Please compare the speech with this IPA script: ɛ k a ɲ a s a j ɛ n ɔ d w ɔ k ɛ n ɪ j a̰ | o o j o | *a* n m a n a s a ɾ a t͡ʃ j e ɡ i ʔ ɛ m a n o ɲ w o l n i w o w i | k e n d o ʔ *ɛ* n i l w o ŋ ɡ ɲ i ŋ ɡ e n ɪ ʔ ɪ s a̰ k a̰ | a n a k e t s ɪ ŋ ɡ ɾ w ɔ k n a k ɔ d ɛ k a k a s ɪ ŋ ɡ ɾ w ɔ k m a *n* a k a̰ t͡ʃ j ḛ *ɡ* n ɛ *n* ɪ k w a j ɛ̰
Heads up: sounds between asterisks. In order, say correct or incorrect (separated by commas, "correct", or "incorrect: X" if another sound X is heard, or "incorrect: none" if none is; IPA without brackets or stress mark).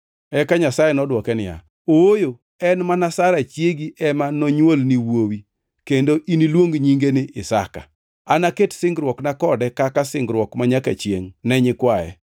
incorrect: ɛ, incorrect: i, incorrect: ɲ, incorrect: ŋ, incorrect: ɲ